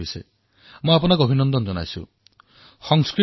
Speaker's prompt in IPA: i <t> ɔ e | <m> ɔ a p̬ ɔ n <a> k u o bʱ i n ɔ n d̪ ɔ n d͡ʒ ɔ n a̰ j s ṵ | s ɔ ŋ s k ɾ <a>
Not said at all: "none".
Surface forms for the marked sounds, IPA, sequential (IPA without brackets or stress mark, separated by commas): s, m, a, i